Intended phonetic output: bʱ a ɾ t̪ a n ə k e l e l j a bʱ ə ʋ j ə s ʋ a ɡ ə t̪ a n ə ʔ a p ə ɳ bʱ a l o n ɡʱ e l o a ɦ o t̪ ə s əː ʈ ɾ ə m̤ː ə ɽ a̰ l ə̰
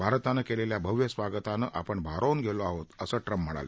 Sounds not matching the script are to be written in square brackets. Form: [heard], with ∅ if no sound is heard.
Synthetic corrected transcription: bʱ a ɾ t̪ a n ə k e l e l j a bʱ ə ʋ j ə s ʋ a ɡ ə t̪ a n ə ʔ a p ə ɳ bʱ a [ɾ] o n ɡʱ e l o a ɦ o t̪ ə s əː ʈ ɾ ə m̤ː ə ɽ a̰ l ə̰